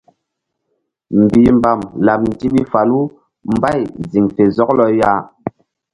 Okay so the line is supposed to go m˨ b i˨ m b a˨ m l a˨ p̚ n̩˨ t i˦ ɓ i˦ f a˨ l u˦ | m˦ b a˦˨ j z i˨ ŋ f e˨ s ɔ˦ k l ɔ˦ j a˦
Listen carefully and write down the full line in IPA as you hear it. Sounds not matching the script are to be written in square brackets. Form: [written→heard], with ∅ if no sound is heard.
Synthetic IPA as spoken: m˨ b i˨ m b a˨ m l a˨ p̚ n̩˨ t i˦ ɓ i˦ f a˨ l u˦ | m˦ b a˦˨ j z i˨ ŋ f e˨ [s→z] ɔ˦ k l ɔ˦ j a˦